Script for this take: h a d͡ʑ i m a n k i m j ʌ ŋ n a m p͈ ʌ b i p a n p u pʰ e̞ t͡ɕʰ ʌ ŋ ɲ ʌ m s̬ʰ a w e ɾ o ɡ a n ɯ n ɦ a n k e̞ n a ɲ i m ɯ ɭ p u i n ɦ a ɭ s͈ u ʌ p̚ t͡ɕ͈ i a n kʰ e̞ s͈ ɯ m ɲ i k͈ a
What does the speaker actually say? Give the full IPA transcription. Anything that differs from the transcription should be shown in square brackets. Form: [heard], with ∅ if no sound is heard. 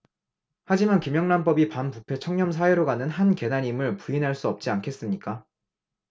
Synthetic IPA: h a d͡ʑ i m a n k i m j ʌ ŋ n a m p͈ ʌ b i p a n p u pʰ e̞ t͡ɕʰ ʌ ŋ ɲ ʌ m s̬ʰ a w e ɾ o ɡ a n ɯ n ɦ a n k e̞ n a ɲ i m ɯ ɭ p u i n ɦ a ɭ s͈ u ʌ p̚ t͡ɕ͈ i a n kʰ e̞ s͈ ɯ m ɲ i k͈ a